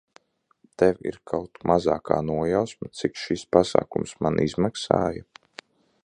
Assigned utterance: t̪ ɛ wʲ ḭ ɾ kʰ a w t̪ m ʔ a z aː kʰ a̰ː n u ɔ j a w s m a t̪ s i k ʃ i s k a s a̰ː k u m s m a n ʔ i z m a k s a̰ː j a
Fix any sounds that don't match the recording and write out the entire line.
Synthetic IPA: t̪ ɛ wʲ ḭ ɾ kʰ a w t̪ m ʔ a z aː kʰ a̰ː n u ɔ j a w s m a t̪ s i k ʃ i s p a s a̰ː k u m s m a n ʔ i z m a k s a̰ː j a